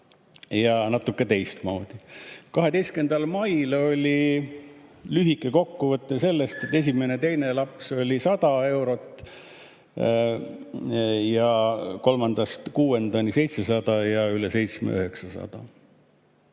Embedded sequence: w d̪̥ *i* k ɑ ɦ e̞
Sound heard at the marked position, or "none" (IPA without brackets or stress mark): i